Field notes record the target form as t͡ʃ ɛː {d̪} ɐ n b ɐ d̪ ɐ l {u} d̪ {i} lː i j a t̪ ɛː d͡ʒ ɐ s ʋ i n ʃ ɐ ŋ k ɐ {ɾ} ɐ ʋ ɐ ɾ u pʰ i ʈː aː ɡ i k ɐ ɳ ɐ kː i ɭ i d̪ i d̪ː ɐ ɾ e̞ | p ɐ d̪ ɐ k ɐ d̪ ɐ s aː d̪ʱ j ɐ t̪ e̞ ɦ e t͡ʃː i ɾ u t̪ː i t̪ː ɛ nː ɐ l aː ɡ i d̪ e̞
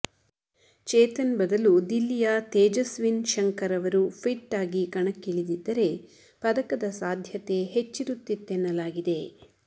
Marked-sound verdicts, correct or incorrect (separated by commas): incorrect, correct, correct, correct